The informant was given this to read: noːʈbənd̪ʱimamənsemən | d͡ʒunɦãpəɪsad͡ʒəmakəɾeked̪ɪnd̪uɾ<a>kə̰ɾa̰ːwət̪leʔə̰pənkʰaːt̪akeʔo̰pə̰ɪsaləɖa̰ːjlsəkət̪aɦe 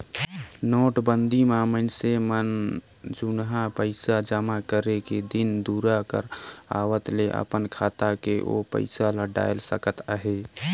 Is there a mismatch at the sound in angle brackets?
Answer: no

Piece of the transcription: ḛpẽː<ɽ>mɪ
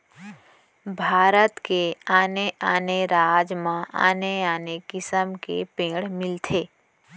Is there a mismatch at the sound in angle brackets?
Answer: no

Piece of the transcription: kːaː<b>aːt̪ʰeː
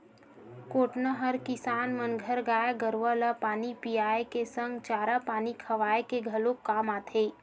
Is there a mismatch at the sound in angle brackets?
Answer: yes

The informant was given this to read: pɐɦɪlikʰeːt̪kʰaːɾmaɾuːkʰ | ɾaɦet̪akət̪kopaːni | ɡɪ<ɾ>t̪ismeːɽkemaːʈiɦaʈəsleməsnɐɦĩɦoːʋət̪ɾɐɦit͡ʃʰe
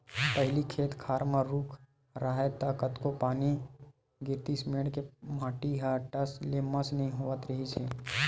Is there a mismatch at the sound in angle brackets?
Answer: no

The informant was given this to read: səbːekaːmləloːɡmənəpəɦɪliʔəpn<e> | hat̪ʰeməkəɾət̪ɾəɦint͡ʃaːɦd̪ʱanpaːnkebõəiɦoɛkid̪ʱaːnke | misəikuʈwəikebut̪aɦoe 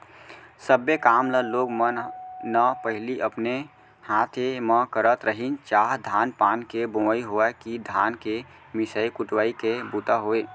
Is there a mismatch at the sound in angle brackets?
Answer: no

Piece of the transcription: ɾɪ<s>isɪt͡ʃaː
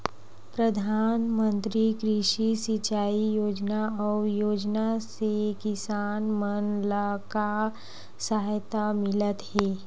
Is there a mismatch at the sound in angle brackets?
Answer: yes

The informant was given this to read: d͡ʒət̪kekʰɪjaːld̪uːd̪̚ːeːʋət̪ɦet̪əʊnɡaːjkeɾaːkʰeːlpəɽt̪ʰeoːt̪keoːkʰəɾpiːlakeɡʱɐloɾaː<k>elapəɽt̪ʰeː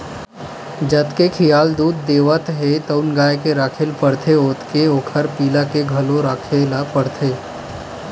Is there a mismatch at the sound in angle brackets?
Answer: yes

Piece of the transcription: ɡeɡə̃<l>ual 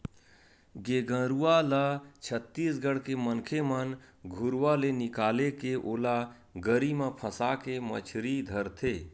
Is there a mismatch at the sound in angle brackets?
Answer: yes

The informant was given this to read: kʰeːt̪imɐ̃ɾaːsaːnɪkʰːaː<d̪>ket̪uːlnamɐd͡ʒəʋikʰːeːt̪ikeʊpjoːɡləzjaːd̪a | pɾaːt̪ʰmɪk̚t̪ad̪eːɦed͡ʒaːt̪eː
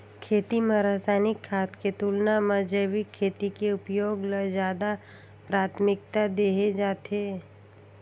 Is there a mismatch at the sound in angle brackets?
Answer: yes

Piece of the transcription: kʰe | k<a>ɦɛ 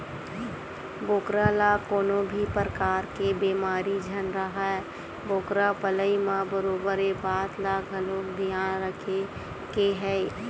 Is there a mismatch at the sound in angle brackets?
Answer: yes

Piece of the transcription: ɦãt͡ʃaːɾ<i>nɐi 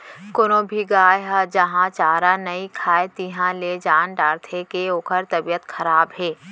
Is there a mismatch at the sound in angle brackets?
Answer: yes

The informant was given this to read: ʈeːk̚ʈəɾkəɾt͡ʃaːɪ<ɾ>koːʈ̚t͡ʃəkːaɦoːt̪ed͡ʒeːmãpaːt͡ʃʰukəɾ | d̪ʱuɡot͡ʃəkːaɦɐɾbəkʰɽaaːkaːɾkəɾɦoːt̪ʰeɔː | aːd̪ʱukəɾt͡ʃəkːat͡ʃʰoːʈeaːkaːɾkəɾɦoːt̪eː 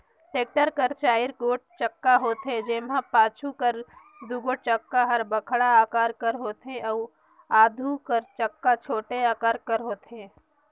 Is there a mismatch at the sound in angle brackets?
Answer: no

